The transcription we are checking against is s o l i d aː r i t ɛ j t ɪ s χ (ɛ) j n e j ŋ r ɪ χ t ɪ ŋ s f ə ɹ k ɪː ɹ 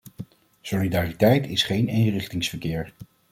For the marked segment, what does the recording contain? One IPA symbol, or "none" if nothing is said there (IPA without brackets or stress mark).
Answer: e